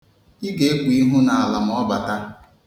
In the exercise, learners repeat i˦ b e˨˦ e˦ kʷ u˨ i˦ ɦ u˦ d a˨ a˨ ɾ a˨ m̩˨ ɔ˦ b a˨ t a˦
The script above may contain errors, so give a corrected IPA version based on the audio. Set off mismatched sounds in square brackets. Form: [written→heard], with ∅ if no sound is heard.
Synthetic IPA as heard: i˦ [b→ɡ] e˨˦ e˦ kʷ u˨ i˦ ɦ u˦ [d→n] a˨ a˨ [ɾ→l] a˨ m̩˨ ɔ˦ b a˨ t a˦